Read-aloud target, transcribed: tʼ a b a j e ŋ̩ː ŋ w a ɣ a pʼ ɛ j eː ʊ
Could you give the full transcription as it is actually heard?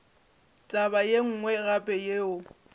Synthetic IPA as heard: tʼ a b a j e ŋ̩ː ŋ w ɛ ɣ a pʼ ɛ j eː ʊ